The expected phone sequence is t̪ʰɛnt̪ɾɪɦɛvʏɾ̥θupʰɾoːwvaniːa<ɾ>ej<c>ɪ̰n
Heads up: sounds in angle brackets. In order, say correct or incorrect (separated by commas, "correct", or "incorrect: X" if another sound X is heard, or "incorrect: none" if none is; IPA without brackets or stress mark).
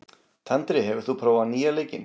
incorrect: l, correct